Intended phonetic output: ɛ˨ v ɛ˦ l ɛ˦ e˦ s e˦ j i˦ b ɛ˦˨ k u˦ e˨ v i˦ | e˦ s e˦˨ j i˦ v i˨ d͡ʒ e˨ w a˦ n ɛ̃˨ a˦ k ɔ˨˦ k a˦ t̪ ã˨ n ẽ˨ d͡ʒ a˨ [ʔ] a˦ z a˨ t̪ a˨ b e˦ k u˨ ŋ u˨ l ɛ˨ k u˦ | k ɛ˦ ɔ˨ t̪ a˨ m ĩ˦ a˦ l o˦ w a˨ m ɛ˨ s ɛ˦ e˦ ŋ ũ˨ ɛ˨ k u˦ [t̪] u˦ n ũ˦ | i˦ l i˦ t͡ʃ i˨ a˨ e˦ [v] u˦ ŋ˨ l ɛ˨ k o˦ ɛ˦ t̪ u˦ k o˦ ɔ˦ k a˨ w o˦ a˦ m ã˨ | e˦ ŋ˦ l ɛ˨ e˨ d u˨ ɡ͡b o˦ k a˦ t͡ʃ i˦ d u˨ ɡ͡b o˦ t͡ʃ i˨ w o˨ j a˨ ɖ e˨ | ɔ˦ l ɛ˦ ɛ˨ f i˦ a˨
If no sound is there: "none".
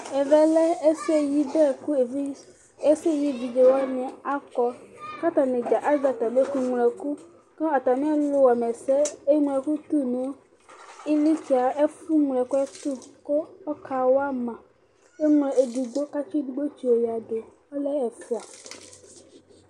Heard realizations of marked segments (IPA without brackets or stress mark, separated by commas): ʔ, t̪, f